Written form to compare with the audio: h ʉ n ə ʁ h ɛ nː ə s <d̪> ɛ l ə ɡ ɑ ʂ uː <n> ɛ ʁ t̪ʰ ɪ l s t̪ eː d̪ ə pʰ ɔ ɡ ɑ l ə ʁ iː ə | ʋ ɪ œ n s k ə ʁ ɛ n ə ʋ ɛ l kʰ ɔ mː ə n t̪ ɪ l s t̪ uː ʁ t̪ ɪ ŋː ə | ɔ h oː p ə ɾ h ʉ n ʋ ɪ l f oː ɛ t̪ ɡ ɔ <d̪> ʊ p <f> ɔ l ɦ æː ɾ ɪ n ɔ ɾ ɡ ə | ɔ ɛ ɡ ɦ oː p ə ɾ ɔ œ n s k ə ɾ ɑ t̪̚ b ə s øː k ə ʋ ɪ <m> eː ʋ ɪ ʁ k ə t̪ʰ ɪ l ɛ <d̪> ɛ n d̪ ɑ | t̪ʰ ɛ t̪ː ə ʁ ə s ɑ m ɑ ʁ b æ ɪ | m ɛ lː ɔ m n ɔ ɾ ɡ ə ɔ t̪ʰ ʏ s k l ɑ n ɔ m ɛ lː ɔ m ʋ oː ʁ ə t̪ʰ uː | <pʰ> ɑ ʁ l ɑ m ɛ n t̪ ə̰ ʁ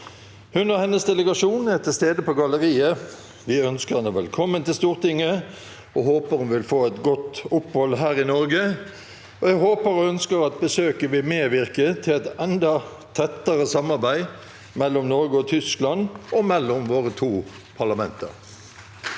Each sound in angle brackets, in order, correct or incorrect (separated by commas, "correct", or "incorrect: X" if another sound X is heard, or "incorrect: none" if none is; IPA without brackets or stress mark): correct, correct, incorrect: t̪, incorrect: h, correct, incorrect: t̪, correct